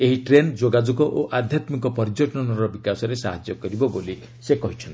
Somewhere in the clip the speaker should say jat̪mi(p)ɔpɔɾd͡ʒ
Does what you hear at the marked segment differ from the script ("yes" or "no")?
yes